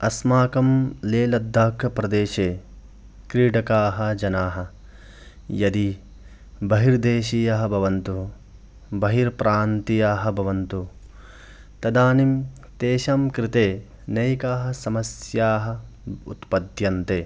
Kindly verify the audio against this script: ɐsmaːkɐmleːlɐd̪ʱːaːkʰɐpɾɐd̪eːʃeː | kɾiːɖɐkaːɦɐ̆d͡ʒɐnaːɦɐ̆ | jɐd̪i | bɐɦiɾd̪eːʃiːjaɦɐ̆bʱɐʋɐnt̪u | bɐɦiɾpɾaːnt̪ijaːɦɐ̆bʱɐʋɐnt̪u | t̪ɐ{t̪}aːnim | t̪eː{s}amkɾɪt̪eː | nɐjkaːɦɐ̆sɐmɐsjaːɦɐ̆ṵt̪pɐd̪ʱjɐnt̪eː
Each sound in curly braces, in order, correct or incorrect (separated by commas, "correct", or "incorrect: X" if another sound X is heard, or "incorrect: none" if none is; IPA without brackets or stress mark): incorrect: d̪, incorrect: ʃ